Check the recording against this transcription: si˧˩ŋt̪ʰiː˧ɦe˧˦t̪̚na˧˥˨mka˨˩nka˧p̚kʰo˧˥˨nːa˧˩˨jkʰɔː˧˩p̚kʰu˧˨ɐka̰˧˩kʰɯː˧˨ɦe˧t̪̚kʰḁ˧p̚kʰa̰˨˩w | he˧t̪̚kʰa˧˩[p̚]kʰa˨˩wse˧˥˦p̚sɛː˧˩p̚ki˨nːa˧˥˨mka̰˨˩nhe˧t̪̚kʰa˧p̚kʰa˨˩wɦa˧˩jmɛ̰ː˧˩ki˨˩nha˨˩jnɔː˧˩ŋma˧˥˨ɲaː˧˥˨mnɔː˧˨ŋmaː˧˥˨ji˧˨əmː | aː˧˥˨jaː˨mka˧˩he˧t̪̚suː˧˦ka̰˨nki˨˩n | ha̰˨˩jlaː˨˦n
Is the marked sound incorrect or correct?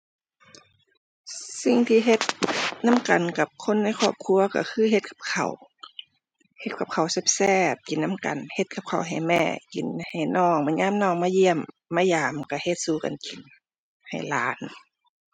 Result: correct